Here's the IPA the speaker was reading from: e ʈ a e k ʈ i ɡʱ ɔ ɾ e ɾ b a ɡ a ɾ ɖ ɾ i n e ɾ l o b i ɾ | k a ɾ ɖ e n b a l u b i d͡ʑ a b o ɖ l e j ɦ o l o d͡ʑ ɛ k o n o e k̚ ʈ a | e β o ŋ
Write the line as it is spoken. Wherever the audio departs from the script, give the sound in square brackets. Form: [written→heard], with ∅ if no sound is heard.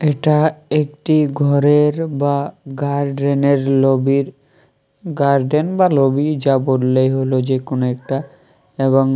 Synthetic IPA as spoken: e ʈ a e k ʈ i ɡʱ ɔ ɾ e ɾ b a ɡ a ɾ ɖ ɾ [i→e] n e ɾ l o b i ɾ | [k→ɡ] a ɾ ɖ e n b a l [u→o] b i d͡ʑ a b o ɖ l e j ɦ o l o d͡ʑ [ɛ→e] k o n o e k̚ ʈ a | e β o ŋ